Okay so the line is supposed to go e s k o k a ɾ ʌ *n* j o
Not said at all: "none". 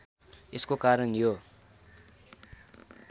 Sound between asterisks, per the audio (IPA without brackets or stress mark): n